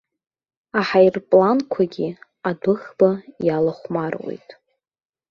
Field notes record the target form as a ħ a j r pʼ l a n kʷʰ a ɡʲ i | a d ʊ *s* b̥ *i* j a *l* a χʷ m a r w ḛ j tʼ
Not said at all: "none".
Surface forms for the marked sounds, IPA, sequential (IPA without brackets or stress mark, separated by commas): χ, a, l